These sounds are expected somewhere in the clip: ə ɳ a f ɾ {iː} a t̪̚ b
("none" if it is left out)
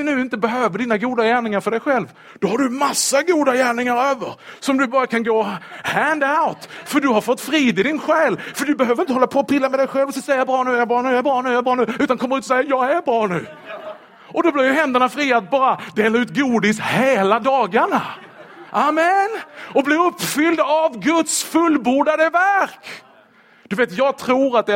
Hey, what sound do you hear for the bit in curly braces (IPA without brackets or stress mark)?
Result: iː